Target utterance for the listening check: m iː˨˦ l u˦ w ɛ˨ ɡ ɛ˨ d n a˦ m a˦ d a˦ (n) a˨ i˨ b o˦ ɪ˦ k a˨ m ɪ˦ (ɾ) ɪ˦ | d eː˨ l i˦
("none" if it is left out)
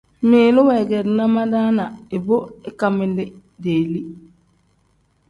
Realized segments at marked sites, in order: n, l

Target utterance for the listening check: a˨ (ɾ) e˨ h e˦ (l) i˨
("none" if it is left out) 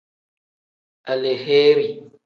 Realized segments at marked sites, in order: l, ɾ

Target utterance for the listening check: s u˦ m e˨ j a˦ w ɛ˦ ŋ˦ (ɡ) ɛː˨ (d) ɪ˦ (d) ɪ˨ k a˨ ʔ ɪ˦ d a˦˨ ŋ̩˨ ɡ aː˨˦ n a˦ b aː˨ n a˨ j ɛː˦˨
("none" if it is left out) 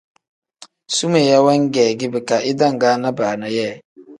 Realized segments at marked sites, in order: ɡ, ɡ, b

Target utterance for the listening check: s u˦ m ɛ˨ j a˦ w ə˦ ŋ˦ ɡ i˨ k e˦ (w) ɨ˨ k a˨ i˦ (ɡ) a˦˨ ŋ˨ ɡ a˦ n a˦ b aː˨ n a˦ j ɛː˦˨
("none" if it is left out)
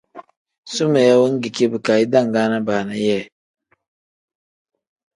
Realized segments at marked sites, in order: b, d

